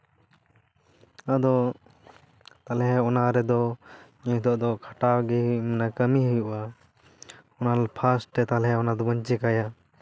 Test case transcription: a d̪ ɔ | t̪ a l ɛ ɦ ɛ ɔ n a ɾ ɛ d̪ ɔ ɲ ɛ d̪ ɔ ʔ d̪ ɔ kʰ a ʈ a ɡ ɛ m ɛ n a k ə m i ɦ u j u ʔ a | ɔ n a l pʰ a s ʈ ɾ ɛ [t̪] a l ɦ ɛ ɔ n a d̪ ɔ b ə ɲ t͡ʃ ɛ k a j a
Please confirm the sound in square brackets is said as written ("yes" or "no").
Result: yes